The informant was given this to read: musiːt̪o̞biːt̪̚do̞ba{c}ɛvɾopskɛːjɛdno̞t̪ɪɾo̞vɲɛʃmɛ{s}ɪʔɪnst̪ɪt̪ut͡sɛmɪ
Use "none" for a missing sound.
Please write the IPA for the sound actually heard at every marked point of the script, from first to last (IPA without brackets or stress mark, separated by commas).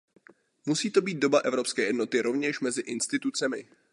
ʔ, z